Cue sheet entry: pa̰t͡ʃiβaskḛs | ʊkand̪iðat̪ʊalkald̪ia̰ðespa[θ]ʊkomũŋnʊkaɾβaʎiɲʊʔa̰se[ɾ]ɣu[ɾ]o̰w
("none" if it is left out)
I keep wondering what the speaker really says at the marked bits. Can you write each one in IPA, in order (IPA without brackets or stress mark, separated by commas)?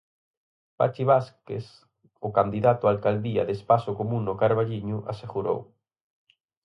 s, none, ɾ